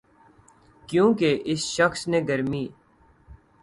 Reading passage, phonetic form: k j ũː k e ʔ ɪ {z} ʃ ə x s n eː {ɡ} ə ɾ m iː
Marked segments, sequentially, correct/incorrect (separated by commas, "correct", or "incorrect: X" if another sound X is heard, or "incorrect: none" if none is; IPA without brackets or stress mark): incorrect: s, correct